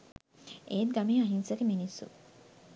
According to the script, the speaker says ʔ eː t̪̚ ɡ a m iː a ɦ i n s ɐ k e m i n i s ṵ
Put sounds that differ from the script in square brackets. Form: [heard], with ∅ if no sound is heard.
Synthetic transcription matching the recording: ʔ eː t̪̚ ɡ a m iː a ɦ i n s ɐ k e m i n i s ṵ